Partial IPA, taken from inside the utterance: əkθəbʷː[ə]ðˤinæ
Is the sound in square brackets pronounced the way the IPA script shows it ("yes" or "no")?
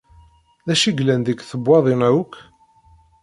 no